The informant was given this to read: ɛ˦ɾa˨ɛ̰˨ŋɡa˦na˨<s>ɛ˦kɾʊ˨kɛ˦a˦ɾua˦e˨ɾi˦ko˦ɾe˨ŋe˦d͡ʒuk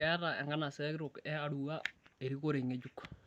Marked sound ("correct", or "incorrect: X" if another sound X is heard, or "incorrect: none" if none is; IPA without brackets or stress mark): correct